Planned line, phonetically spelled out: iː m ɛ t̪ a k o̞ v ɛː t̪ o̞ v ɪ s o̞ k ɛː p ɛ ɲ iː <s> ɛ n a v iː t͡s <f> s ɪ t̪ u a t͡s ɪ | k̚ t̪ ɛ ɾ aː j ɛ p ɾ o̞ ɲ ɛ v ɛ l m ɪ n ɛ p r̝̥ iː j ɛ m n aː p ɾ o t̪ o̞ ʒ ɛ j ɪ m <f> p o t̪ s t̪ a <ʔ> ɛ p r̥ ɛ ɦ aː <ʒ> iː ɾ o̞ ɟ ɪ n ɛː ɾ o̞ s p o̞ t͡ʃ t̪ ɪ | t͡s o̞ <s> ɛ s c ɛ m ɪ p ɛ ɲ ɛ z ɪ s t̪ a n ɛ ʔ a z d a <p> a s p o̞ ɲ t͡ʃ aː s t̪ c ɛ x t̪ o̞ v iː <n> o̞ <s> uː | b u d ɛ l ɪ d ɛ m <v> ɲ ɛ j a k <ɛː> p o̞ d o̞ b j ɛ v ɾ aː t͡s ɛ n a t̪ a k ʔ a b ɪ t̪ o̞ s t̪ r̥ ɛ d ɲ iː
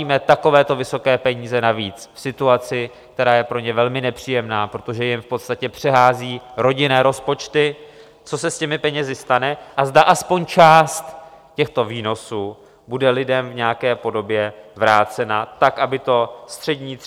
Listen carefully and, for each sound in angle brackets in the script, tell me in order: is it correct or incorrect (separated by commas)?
incorrect, correct, correct, incorrect, incorrect, correct, incorrect, correct, correct, correct, correct